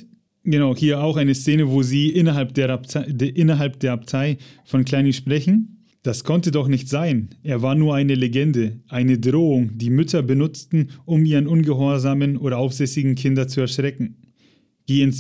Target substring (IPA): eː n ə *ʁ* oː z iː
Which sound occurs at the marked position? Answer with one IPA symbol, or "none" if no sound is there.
v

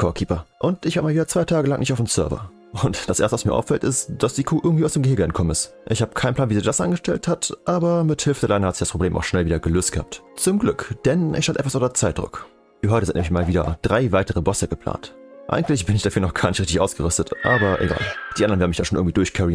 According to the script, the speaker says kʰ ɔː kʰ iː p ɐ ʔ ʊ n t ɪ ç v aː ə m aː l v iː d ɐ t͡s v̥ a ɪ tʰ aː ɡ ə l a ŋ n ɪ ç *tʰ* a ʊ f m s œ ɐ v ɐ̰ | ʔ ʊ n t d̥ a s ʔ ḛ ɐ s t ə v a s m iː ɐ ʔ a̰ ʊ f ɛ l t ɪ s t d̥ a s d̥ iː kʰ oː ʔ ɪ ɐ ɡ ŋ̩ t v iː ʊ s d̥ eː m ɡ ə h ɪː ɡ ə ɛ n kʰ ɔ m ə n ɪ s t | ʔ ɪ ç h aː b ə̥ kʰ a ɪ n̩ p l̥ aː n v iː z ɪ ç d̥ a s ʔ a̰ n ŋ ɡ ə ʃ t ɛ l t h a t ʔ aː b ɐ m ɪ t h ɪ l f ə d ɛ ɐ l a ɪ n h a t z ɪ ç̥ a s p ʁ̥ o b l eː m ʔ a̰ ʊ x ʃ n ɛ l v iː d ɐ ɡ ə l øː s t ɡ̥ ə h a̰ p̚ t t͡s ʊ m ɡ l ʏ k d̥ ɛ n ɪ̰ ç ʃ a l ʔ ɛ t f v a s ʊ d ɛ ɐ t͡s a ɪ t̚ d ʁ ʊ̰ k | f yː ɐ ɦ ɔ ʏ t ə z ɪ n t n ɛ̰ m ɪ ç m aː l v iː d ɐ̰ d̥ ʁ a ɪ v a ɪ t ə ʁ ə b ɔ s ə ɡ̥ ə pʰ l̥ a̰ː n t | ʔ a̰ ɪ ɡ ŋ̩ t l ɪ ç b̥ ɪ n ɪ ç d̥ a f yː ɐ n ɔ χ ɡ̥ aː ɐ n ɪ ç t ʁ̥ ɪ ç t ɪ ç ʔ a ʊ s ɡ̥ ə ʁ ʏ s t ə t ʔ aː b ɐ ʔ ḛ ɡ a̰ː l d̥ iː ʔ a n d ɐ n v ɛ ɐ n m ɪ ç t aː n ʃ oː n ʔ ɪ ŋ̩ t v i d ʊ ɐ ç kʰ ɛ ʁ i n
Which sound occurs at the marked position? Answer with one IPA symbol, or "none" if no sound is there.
t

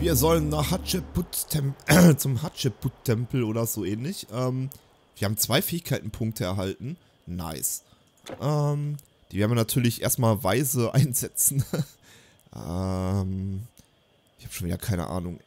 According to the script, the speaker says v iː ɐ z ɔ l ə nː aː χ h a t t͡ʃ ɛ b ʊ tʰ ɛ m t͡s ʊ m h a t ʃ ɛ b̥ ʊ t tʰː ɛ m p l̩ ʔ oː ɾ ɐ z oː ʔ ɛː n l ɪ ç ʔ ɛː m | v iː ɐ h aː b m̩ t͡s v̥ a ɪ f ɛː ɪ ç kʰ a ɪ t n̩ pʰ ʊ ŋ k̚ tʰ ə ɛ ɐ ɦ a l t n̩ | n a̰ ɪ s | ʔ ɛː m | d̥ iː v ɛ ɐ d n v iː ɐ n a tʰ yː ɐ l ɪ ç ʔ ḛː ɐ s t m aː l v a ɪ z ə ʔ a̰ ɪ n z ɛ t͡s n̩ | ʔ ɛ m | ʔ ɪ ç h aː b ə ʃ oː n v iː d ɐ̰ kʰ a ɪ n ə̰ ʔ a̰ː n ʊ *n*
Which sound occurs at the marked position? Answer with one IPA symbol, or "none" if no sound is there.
ŋ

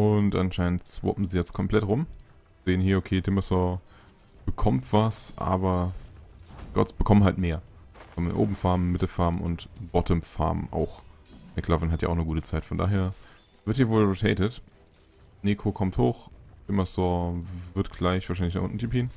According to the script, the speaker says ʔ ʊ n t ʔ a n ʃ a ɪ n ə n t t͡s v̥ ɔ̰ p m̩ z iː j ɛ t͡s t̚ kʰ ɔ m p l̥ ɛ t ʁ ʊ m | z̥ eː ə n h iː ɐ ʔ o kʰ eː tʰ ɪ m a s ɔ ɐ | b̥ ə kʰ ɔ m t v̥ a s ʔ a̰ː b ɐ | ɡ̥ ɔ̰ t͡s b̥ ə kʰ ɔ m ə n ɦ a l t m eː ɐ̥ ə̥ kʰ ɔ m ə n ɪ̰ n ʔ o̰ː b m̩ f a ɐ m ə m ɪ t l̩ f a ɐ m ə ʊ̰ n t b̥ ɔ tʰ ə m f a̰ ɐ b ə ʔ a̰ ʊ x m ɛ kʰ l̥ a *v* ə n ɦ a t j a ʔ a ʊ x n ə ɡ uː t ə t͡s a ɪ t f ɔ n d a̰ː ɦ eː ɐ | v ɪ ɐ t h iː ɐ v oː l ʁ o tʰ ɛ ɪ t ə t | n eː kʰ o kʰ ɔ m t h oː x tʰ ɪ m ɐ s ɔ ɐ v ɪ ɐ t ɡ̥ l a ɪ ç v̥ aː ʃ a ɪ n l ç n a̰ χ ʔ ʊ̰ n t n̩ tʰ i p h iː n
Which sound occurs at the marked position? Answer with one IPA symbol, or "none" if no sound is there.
v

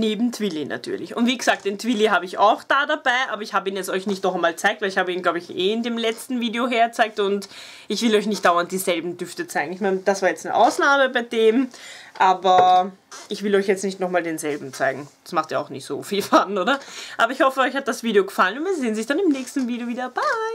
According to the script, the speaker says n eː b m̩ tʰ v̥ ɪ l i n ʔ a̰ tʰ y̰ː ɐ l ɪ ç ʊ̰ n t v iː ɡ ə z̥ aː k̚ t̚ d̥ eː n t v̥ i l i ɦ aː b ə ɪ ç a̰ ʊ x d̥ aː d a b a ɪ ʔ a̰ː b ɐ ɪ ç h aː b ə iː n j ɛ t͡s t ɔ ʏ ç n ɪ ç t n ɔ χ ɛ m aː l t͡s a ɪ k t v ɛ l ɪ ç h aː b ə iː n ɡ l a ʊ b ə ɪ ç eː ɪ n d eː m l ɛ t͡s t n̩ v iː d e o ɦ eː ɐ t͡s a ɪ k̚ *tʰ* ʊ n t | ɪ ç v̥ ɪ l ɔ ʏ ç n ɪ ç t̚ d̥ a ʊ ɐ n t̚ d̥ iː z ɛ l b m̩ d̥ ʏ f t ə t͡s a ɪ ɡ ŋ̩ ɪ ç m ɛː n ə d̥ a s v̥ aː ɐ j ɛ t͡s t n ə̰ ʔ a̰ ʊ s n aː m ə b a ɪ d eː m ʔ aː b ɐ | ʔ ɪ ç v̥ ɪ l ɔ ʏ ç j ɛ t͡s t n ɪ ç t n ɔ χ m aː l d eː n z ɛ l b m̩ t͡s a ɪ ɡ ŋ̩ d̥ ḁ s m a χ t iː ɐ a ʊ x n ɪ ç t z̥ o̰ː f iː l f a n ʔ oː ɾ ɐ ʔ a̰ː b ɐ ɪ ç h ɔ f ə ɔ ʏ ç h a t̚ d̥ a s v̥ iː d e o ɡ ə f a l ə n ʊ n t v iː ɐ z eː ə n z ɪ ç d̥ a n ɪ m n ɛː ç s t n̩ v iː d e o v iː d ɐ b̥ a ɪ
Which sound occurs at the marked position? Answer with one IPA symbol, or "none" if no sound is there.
t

